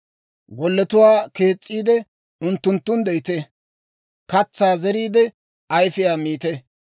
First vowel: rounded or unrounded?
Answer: rounded